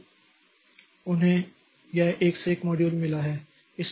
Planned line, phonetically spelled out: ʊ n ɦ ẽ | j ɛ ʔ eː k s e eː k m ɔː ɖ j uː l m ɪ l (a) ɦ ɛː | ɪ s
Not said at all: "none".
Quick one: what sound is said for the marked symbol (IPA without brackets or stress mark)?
a